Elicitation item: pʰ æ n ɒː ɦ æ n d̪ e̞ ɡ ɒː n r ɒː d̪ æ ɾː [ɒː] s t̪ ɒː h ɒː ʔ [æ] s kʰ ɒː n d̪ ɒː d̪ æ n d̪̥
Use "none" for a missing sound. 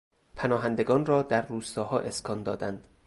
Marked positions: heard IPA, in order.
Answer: uː, e

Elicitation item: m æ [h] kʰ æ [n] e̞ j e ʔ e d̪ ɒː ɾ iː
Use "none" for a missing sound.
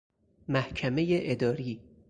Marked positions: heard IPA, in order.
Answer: h, m

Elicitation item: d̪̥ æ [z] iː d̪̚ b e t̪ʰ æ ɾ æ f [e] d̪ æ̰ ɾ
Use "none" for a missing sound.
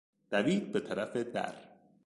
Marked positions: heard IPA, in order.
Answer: v, e

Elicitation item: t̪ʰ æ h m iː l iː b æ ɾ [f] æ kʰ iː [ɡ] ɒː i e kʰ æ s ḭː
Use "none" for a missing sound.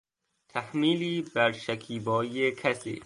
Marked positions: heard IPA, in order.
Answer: ʃ, b

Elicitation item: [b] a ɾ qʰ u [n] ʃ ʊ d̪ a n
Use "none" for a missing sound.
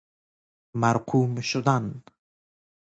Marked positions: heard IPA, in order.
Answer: m, m

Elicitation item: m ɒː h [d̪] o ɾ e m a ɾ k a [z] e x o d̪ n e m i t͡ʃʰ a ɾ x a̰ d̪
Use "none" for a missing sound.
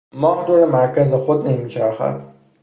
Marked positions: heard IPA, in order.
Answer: d̪, z

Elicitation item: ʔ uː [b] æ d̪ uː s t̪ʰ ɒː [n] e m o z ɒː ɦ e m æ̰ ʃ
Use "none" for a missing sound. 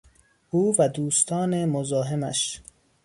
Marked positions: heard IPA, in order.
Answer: v, n

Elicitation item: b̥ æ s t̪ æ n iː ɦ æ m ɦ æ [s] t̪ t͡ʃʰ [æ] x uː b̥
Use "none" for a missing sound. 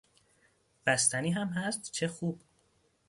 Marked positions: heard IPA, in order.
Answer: s, e

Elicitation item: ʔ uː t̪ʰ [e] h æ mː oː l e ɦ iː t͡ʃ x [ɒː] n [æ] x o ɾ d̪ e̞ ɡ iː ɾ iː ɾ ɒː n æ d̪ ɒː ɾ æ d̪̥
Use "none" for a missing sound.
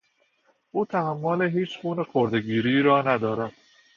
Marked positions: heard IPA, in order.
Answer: æ, uː, e

